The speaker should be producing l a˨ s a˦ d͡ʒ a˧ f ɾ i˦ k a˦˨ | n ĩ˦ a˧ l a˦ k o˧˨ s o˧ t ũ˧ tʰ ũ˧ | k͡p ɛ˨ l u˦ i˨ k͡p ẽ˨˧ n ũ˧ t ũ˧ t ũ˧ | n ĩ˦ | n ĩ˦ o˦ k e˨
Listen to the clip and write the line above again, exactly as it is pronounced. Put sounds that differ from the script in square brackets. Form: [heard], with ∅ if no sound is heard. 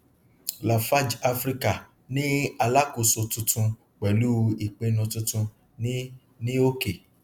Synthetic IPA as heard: l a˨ [f] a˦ d͡ʒ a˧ f ɾ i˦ k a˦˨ | n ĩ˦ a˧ l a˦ k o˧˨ s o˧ t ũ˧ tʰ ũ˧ | k͡p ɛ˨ l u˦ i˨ k͡p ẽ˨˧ n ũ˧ t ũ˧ t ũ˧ | n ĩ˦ | n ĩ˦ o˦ k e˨